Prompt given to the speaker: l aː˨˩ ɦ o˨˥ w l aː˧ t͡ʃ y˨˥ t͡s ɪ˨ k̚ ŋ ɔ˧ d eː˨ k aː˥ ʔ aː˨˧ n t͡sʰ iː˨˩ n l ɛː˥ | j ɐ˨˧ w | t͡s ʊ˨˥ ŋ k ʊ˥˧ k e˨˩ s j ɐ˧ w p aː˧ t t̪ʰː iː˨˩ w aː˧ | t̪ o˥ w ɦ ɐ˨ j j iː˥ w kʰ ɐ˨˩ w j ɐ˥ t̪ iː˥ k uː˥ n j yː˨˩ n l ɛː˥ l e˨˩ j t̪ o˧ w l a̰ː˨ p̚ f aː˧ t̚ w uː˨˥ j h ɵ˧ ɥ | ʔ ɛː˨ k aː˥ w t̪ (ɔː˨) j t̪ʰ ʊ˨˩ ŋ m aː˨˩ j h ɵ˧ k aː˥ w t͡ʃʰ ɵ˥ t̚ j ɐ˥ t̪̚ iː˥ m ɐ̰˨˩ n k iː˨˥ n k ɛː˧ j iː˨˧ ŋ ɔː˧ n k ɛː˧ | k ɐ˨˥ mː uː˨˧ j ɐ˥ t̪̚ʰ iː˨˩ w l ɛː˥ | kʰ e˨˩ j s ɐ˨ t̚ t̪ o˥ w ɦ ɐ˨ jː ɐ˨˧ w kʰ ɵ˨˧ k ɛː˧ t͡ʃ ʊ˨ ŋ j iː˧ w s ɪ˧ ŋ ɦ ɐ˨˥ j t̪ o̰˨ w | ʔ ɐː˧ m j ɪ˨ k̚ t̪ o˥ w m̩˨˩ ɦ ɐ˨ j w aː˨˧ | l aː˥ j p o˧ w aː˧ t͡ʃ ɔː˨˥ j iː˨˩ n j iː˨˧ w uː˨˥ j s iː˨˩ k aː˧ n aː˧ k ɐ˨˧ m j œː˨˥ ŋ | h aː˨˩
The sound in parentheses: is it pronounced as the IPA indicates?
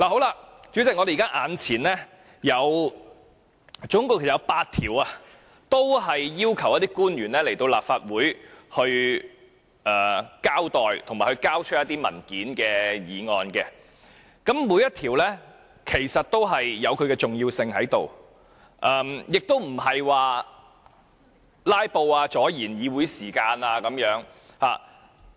yes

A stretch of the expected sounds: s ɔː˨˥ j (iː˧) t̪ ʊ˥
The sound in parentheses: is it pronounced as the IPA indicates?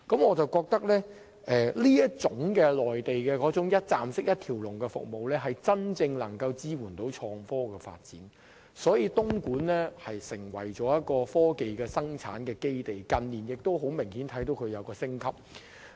yes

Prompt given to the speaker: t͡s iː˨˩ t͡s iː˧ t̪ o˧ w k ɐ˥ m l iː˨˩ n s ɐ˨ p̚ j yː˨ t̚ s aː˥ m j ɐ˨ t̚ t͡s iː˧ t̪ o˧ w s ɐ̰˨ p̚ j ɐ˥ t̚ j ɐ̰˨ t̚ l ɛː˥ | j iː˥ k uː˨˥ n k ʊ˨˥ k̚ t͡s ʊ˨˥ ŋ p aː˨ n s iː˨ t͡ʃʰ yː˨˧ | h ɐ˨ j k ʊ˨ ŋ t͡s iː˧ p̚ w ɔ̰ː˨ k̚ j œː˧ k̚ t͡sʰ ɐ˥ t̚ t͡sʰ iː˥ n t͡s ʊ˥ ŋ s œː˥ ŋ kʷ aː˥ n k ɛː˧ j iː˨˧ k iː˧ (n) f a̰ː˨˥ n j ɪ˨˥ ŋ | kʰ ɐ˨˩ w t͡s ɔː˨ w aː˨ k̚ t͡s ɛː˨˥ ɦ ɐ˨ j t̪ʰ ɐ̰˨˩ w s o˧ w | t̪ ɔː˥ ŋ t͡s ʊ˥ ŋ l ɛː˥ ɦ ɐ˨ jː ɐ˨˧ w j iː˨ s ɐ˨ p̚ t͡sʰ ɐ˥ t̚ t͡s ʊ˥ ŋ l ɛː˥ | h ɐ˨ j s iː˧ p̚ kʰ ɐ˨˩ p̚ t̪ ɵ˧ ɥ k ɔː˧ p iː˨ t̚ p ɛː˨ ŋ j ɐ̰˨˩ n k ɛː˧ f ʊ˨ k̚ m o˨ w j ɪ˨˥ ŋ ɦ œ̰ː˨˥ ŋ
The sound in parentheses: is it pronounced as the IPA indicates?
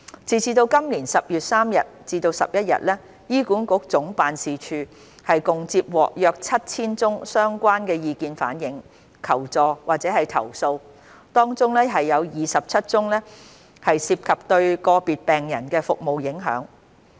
yes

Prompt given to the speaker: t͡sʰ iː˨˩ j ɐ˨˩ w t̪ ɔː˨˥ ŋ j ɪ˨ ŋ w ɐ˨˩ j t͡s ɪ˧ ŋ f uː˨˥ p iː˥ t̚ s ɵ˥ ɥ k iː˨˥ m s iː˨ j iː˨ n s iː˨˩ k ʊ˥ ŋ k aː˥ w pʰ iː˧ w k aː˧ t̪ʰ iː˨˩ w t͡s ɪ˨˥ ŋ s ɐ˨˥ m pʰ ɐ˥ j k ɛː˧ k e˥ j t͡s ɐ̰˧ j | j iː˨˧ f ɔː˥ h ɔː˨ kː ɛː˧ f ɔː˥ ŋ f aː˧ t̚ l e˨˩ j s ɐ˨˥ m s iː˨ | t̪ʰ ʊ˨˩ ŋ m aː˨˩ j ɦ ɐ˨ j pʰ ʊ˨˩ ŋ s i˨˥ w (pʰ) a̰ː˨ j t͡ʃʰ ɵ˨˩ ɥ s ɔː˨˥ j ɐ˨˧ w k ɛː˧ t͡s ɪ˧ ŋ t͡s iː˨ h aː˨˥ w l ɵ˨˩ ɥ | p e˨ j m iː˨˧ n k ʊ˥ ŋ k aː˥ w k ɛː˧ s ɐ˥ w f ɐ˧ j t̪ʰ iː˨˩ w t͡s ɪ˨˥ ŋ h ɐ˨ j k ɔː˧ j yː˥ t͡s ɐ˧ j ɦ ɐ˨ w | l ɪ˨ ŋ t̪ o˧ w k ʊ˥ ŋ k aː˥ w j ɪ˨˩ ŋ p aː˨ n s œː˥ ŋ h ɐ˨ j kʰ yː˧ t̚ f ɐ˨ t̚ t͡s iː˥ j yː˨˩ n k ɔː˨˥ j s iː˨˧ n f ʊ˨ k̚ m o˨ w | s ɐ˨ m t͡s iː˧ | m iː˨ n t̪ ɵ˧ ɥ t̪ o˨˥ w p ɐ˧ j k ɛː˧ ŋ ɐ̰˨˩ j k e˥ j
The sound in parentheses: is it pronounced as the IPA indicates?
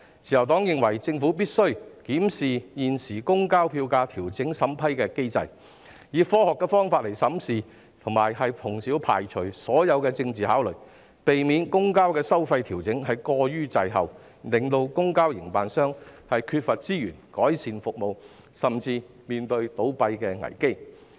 yes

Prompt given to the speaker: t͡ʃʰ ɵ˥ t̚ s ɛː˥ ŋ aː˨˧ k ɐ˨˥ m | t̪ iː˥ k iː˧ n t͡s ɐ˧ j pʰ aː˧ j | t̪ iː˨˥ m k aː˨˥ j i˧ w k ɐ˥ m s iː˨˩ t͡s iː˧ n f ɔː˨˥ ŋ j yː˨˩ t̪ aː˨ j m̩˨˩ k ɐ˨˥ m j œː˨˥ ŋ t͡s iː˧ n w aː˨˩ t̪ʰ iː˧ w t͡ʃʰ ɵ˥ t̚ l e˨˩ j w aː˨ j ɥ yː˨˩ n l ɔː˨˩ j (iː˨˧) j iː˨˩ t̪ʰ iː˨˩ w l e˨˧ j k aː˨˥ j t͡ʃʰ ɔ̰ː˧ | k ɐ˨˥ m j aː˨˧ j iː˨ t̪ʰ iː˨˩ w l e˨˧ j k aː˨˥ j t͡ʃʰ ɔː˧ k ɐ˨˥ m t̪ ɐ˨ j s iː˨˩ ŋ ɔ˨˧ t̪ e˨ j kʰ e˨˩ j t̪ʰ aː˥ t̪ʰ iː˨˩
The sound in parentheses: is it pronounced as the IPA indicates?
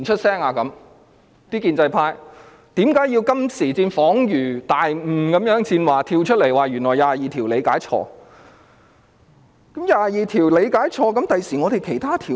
no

